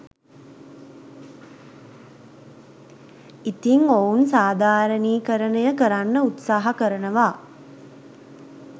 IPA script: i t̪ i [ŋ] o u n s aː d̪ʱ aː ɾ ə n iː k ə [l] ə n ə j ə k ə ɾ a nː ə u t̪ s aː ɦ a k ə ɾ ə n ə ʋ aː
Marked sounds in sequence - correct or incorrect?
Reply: correct, incorrect

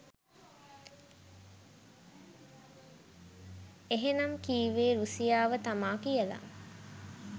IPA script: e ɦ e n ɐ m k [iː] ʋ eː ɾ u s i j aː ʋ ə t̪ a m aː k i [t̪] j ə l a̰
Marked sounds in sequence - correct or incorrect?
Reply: correct, incorrect

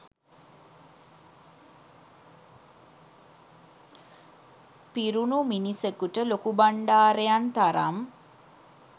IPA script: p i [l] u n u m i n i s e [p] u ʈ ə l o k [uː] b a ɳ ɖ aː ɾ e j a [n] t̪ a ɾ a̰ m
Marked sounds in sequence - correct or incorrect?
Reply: incorrect, incorrect, incorrect, correct

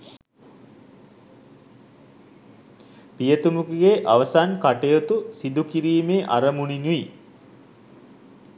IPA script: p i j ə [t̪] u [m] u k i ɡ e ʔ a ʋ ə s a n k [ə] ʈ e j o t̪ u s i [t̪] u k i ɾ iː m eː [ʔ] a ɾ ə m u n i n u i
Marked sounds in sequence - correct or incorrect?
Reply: correct, correct, incorrect, incorrect, correct

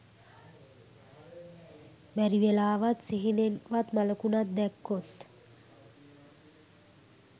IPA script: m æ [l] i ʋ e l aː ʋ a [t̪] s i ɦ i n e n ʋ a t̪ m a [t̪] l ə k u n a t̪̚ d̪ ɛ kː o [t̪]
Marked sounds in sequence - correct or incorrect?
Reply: incorrect, correct, incorrect, correct

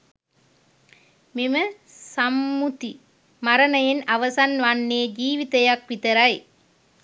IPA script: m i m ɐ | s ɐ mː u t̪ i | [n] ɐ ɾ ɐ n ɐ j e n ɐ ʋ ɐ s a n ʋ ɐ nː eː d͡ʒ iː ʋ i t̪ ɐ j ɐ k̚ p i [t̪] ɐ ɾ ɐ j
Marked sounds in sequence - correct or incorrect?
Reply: incorrect, correct

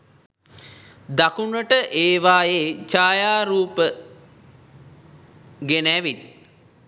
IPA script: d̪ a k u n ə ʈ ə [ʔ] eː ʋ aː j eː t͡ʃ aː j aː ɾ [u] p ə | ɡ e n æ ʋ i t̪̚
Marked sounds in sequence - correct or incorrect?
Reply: correct, incorrect

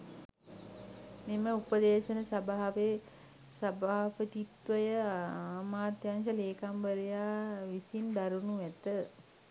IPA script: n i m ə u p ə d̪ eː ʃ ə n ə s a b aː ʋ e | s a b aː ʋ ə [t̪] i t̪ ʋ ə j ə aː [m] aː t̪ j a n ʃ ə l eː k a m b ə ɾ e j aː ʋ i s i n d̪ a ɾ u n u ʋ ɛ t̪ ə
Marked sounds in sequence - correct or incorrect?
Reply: correct, correct

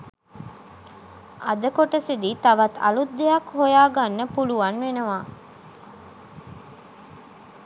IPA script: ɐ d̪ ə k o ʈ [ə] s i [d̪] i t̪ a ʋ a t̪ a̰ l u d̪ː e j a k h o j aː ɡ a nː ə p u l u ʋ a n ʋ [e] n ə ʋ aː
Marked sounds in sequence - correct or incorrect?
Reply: correct, correct, correct

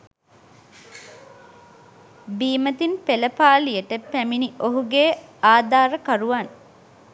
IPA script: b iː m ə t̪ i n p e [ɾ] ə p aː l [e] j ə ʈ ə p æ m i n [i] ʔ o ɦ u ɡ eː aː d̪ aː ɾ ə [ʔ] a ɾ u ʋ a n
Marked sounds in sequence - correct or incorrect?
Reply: incorrect, incorrect, correct, incorrect

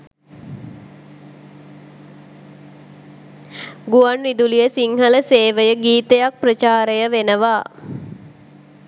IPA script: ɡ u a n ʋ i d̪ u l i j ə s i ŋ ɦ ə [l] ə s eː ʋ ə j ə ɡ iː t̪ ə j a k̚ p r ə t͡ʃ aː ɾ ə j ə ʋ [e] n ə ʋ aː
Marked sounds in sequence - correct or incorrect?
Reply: correct, correct

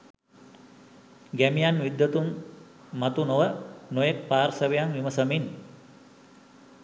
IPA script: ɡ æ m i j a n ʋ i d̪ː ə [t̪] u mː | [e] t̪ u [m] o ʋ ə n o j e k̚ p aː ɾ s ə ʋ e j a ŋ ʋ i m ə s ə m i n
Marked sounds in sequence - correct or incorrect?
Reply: correct, incorrect, incorrect

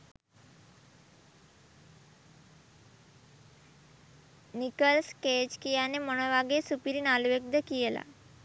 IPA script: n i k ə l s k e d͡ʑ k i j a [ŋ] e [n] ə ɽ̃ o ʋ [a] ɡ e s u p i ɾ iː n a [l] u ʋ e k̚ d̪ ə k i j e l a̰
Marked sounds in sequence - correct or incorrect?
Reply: incorrect, incorrect, correct, correct

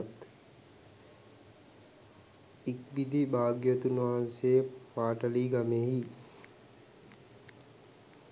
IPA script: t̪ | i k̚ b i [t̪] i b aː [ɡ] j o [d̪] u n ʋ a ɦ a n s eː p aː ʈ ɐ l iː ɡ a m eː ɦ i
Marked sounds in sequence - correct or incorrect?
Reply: incorrect, correct, incorrect

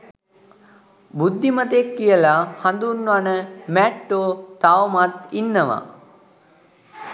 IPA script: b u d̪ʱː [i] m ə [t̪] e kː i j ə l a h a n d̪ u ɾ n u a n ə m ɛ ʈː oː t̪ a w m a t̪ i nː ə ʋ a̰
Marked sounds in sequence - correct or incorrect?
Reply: correct, correct

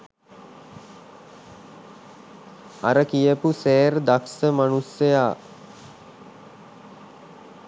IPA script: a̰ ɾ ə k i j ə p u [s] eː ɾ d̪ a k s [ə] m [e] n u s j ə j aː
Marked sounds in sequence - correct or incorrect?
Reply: correct, correct, incorrect

